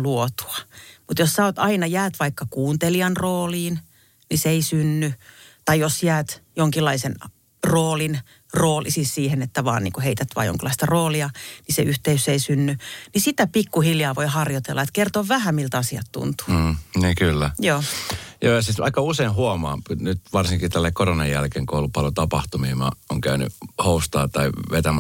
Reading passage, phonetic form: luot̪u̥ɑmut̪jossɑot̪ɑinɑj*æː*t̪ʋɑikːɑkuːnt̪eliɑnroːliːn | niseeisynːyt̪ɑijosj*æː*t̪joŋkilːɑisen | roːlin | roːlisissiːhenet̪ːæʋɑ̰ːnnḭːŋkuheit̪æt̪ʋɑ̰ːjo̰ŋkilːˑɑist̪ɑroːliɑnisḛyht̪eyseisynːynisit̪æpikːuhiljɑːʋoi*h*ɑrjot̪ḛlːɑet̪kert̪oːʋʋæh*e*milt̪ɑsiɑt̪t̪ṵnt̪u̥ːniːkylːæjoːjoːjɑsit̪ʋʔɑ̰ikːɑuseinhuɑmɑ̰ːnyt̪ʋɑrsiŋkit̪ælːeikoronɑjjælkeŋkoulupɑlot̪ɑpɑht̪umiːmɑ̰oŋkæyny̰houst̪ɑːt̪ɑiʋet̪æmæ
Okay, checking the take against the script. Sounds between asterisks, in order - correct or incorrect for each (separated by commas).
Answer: correct, correct, correct, incorrect